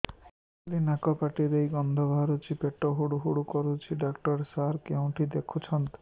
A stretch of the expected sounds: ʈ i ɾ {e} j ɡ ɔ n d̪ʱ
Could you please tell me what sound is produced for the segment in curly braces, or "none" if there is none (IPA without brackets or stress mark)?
e